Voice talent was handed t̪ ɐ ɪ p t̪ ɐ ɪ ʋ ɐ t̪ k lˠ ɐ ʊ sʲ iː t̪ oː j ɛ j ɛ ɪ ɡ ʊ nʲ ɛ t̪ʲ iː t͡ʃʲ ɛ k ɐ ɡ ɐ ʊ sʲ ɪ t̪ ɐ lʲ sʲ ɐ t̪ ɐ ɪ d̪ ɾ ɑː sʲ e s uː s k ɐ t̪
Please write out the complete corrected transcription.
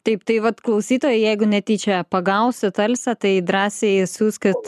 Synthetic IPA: t̪ ɐ ɪ p t̪ ɐ ɪ ʋ ɐ t̪ k lˠ ɐ ʊ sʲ iː t̪ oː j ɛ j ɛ ɪ ɡ ʊ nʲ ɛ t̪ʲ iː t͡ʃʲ ɛ p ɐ ɡ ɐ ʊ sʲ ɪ t̪ ɐ lʲ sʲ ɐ t̪ ɐ ɪ d̪ ɾ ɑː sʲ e s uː s k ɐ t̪